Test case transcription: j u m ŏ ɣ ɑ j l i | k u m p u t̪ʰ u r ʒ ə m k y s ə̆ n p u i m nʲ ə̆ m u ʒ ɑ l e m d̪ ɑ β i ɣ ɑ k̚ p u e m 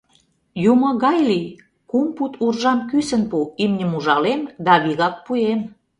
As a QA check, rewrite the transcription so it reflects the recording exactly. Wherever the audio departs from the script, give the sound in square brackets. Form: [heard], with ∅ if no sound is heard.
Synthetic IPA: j u m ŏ ɣ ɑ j l i | k u m p u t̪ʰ u r ʒ [ɑ] m k y s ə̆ n p u i m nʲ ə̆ m u ʒ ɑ l e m d̪ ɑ β i ɣ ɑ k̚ p u e m